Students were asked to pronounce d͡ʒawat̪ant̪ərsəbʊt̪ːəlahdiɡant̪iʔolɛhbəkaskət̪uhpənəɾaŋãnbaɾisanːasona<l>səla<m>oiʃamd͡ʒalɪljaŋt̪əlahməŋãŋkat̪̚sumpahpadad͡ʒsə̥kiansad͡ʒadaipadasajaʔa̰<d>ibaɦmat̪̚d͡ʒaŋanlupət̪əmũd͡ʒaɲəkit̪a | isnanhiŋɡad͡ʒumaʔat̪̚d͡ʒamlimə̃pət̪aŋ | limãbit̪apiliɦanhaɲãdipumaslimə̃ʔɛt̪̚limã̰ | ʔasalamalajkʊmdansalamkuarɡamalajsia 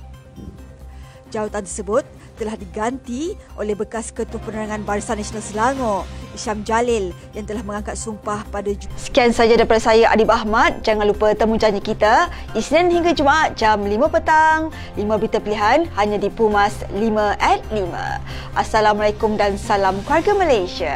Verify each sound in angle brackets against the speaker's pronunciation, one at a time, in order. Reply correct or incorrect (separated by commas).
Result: correct, incorrect, correct